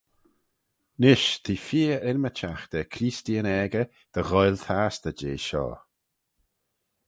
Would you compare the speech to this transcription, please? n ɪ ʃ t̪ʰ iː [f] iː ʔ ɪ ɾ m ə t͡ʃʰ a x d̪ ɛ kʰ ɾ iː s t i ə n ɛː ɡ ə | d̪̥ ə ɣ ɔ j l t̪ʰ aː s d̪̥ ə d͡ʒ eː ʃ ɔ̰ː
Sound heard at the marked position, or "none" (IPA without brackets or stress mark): f